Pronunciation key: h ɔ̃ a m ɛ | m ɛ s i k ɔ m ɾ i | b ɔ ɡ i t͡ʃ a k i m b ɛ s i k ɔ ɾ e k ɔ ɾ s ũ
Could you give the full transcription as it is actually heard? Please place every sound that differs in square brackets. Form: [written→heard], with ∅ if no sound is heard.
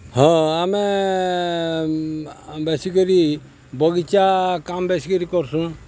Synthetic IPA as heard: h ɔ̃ a m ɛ | [m→b] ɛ s i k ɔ [m→∅] ɾ i | b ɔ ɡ i t͡ʃ a k [i→a] m b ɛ s i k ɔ ɾ [e→i] k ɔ ɾ s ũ